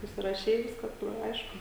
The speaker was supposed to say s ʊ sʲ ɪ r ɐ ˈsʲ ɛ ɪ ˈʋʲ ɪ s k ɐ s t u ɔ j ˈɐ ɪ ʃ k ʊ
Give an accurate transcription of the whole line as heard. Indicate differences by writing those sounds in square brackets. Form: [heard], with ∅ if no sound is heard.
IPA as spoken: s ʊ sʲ ɪ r ɐ [ˈʃʲ] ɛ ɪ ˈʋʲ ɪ s k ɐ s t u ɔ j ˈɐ ɪ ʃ k ʊ